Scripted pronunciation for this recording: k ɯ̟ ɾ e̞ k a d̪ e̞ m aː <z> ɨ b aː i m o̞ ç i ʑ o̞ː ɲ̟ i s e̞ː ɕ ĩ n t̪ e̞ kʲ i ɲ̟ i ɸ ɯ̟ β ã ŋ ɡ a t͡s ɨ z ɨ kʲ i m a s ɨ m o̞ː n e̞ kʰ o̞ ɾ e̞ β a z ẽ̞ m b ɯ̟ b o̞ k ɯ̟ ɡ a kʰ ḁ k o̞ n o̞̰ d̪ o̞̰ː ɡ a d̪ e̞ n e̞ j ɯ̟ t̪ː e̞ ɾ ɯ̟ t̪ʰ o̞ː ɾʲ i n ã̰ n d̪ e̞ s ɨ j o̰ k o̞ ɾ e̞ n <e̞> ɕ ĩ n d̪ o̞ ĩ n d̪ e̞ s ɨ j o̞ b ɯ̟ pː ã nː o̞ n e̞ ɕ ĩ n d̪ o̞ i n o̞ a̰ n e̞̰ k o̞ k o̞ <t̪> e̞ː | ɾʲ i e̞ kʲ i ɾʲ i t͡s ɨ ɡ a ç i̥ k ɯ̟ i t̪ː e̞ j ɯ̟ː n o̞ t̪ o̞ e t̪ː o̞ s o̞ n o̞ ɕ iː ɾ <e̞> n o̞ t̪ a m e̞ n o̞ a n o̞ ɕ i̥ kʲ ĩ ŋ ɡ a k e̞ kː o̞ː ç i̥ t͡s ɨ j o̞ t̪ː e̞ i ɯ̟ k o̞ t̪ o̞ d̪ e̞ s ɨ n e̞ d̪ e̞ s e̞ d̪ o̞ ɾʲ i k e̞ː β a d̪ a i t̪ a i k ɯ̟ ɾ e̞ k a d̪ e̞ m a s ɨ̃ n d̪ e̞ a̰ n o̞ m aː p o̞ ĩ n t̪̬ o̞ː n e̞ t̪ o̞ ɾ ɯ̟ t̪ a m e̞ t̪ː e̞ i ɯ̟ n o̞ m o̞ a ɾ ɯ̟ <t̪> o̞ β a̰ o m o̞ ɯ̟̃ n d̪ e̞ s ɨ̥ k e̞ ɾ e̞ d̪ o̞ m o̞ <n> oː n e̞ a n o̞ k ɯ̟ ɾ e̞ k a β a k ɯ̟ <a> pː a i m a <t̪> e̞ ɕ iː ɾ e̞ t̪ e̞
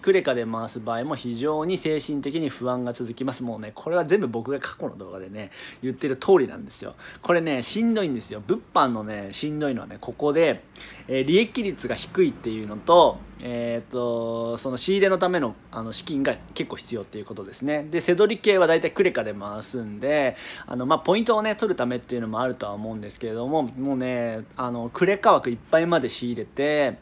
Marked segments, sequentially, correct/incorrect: incorrect: s, correct, incorrect: d̪, correct, correct, incorrect: m, incorrect: i, incorrect: d̪

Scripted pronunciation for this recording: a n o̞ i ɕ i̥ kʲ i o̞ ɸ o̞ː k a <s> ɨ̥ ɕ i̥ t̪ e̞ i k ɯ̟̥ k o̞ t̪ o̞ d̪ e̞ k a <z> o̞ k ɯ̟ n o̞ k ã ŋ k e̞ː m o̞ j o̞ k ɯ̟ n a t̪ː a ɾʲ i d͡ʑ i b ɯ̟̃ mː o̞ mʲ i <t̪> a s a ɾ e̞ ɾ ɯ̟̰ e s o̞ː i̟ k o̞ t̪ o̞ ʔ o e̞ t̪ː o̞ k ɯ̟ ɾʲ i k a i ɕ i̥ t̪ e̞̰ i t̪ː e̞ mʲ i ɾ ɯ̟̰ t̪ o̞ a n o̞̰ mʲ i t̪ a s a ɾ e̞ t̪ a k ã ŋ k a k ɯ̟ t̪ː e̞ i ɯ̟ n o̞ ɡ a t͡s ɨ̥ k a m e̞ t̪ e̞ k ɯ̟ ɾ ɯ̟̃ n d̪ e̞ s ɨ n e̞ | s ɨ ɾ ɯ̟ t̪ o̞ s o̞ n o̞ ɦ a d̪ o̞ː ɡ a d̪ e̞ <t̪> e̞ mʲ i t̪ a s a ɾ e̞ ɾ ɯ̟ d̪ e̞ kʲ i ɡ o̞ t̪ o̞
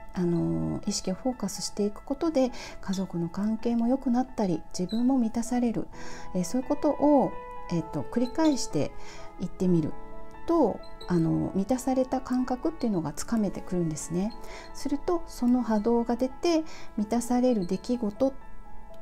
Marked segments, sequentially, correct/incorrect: correct, correct, correct, correct

